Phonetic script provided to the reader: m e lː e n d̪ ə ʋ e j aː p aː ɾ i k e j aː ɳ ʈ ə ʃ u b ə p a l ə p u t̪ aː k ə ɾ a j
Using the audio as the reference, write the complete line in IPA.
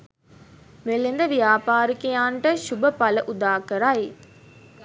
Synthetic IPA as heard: m e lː e n d̪ ə ʋ i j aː p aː ɾ i k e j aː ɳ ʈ ə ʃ u b ə p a l ə ʔ u d̪ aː k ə ɾ a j